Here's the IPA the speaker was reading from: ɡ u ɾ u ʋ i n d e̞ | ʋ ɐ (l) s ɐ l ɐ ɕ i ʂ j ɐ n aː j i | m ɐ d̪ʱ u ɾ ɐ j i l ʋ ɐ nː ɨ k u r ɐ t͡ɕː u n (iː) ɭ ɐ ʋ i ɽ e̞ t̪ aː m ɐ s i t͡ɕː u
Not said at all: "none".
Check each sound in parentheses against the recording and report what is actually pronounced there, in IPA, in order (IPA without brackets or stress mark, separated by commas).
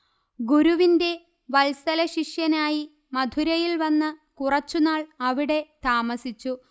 l, aː